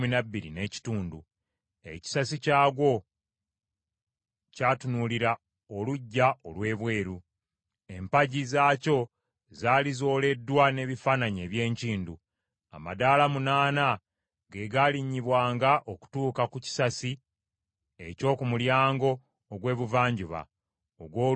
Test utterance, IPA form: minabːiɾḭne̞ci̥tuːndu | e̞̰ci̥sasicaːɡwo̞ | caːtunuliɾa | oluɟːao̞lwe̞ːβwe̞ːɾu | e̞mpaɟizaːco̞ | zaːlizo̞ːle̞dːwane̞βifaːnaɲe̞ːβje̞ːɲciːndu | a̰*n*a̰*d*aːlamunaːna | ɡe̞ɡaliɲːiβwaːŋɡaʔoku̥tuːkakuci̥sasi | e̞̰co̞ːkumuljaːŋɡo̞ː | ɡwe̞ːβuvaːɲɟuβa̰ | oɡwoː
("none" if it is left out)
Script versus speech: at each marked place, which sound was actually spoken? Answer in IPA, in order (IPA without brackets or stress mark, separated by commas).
m, d